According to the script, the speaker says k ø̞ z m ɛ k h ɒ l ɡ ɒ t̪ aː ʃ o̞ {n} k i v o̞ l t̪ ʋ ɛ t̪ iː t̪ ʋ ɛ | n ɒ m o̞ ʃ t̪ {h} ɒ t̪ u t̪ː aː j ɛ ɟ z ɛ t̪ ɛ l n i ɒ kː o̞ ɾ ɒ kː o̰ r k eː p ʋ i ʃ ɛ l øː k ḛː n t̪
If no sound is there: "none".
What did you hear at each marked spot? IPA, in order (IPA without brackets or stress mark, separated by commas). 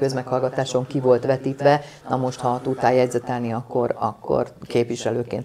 ŋ, h